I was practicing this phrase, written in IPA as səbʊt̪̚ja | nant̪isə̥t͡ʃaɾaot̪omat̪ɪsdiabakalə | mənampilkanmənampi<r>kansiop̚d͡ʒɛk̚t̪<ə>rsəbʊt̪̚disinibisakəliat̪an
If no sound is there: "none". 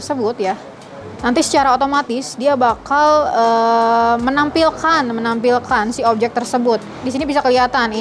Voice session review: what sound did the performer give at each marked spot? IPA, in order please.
l, ə

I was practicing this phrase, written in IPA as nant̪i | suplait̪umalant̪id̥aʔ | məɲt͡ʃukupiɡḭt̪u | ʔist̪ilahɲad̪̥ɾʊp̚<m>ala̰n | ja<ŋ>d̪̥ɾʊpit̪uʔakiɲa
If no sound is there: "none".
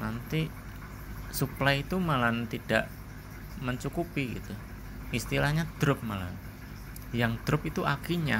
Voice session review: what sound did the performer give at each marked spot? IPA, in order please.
m, ŋ

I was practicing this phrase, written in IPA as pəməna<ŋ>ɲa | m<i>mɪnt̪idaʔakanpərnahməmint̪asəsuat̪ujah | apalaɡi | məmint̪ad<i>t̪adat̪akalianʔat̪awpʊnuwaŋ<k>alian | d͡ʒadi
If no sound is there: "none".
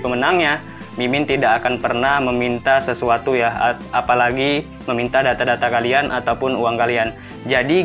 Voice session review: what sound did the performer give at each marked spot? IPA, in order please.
ŋ, i, a, k

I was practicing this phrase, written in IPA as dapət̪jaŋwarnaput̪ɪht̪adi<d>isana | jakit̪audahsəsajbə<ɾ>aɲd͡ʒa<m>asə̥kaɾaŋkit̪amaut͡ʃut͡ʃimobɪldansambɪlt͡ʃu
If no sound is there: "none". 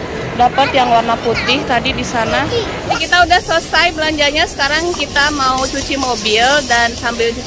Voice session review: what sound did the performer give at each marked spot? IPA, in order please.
d, l, ɲ

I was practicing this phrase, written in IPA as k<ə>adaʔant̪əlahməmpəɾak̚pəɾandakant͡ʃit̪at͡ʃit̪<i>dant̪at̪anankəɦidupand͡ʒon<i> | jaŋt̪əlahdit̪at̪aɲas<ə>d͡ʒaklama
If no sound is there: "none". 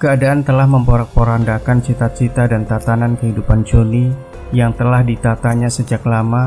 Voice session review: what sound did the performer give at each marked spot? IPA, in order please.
ə, a, i, ə

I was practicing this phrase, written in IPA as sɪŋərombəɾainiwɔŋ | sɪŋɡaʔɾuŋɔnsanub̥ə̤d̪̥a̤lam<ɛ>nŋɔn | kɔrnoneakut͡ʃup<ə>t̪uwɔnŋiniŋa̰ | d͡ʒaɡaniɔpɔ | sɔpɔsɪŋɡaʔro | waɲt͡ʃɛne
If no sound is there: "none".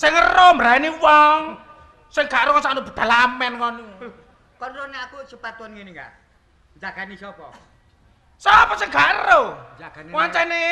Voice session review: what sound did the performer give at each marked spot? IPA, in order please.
ɛ, a

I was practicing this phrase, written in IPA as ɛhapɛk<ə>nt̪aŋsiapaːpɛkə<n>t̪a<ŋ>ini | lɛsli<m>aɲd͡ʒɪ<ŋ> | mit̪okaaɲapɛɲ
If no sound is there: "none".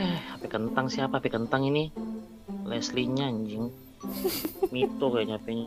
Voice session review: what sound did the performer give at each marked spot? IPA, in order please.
ə, n, ŋ, ɲ, ŋ

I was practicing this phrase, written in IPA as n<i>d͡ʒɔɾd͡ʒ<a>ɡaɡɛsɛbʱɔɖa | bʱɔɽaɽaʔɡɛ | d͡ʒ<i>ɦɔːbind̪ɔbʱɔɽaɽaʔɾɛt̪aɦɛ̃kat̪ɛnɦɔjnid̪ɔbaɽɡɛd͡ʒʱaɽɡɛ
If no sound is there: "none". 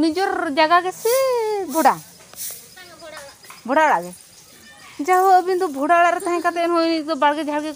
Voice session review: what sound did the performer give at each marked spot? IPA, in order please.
i, a, a

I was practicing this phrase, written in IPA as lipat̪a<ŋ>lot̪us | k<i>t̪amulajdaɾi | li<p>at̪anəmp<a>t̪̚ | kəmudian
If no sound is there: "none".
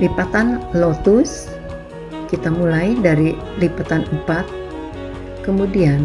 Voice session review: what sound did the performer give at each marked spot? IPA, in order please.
n, i, p, a

